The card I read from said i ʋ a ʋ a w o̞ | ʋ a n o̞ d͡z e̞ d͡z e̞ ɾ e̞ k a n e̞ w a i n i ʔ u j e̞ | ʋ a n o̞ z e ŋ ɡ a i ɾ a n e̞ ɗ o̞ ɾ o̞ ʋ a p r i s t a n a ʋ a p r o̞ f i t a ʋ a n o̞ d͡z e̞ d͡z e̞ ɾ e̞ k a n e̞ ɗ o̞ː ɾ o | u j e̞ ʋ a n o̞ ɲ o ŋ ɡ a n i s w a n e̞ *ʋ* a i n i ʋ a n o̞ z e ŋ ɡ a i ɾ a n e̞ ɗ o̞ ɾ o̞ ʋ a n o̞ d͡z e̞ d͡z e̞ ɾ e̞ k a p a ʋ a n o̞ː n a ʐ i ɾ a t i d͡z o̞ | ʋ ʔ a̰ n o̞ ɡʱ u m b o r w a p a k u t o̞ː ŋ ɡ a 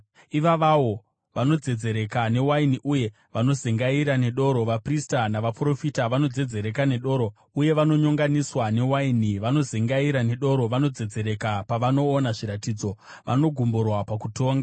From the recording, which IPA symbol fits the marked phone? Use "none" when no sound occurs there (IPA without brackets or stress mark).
w